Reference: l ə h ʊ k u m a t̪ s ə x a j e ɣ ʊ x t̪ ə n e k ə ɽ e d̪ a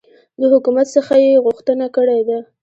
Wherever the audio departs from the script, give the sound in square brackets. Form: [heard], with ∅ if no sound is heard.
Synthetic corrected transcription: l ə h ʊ k u m a t̪ s ə x a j e ɣ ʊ x t̪ ə n [a] k ə ɽ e d̪ a